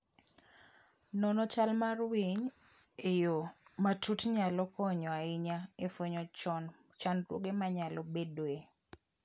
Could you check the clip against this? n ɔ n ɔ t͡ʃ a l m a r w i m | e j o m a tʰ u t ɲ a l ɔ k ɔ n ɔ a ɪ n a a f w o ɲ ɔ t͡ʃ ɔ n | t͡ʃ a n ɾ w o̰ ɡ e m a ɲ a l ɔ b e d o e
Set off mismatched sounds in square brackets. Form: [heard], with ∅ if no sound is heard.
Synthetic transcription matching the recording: n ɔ n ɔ t͡ʃ a l m a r w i [ɲ] | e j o m a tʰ u t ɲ a l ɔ k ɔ [ɲ] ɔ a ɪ [ɲ] a [e] f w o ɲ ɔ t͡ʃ ɔ n | t͡ʃ a n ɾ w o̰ ɡ e m a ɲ a l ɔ b e d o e